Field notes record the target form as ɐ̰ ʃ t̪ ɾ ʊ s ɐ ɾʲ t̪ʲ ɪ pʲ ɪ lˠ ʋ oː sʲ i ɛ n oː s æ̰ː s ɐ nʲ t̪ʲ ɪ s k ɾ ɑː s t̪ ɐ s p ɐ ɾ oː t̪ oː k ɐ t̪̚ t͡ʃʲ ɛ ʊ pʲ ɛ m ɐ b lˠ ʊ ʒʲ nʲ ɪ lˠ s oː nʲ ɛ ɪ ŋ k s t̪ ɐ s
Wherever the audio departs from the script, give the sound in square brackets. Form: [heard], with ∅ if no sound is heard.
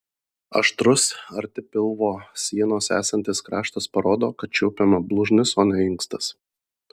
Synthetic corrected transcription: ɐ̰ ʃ t̪ ɾ ʊ s ɐ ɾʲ t̪ʲ ɪ pʲ ɪ lˠ ʋ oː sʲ i ɛ n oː s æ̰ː s ɐ nʲ t̪ʲ ɪ s k ɾ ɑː [ʃ] t̪ ɐ s p ɐ ɾ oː [d̪] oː k ɐ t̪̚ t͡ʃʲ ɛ ʊ pʲ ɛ m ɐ b lˠ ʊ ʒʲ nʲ ɪ [∅] s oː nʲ ɛ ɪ ŋ k s t̪ ɐ s